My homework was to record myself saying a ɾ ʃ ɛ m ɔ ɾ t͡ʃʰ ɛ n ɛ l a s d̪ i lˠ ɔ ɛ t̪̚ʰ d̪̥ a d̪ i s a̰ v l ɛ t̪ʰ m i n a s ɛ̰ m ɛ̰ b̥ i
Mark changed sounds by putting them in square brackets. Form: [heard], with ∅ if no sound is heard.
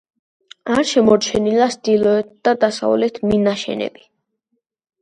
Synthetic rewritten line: a ɾ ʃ ɛ m ɔ ɾ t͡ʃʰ ɛ n [i] l a s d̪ i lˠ ɔ ɛ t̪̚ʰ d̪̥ a d̪ [a] s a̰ v l ɛ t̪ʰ m i n a [ʃ] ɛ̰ [n] ɛ̰ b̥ i